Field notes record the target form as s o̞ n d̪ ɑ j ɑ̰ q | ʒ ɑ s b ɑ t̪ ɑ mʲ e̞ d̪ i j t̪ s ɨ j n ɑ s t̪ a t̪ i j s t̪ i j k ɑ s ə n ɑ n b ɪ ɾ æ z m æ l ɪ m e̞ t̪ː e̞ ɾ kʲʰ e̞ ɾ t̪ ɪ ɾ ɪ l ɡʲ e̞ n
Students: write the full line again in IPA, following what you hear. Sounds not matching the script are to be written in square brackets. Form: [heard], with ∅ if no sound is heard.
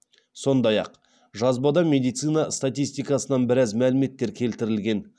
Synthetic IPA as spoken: s o̞ n d̪ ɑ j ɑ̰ q | ʒ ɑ [z] b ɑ [d̪] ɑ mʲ e̞ d̪ i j t̪ s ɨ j n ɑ s t̪ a t̪ i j s t̪ i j k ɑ s ə n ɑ n b ɪ ɾ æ z m æ l ɪ m e̞ t̪ː e̞ ɾ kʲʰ e̞ [l] t̪ ɪ ɾ ɪ l ɡʲ e̞ n